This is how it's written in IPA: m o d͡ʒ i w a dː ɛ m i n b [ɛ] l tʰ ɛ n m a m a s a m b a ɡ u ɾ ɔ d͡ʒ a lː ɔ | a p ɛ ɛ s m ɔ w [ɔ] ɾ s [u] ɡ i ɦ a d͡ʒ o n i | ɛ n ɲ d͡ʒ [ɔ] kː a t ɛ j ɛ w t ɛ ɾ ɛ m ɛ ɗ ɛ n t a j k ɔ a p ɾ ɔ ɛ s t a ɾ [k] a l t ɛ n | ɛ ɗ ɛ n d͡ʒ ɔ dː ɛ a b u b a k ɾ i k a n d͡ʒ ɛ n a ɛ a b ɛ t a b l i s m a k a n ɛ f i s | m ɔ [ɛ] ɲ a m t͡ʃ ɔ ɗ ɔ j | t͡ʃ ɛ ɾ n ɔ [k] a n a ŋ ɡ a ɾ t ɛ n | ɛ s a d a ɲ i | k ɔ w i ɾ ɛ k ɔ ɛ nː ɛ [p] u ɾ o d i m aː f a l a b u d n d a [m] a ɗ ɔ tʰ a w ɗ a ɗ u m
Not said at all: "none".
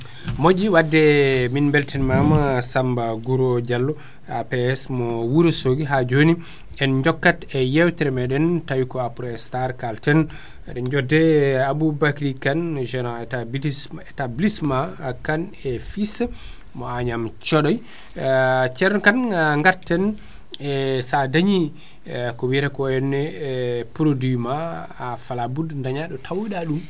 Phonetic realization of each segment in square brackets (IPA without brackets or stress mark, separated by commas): ɛ, u, o, ɔ, k, a, k, p, ɲ